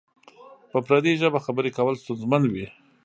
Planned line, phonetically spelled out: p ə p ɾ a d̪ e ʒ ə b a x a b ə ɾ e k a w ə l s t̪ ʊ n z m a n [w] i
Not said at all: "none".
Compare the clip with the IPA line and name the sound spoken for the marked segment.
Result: w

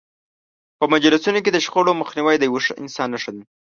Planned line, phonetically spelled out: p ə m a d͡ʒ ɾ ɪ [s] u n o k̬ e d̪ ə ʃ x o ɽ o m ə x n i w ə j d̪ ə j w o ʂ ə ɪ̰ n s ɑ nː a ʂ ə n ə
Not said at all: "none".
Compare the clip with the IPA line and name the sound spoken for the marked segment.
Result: s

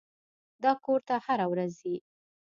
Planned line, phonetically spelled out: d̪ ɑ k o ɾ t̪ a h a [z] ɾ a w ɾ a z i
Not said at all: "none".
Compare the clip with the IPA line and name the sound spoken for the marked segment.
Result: none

